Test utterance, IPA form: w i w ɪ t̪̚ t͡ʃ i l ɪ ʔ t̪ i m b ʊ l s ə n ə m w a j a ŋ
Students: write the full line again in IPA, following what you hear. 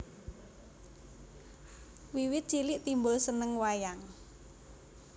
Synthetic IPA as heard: w i w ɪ t̪̚ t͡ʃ i l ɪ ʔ t̪ i m b ʊ l s ə n ə ŋ w a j a ŋ